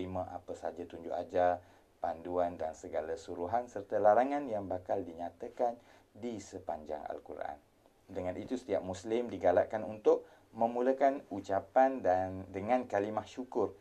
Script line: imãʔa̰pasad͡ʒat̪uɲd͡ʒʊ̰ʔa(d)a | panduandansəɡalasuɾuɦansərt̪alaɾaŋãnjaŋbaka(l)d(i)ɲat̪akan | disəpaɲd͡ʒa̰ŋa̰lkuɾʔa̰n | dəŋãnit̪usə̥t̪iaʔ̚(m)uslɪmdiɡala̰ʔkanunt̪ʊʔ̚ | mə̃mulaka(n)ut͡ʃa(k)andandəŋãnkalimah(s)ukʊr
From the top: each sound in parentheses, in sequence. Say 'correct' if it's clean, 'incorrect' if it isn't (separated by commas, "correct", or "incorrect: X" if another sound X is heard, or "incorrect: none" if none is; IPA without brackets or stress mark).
incorrect: d͡ʒ, correct, correct, correct, correct, incorrect: p, incorrect: ʃ